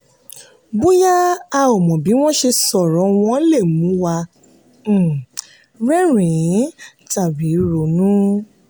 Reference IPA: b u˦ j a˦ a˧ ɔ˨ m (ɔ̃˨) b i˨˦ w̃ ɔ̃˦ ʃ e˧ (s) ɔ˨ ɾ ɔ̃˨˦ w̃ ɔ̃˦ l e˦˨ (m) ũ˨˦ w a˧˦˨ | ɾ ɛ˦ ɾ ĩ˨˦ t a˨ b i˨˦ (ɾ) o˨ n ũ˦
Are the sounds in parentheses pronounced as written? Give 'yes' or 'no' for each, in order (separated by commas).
yes, yes, yes, yes